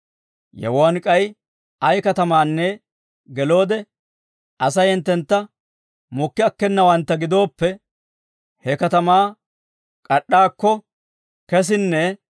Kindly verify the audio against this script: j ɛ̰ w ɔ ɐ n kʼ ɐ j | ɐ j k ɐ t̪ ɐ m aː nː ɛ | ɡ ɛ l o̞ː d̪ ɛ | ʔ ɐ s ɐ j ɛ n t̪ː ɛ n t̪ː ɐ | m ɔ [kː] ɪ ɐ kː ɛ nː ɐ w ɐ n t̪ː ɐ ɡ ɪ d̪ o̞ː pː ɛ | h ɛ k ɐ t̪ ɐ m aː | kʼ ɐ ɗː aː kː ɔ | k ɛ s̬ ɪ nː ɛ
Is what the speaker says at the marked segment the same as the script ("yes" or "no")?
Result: yes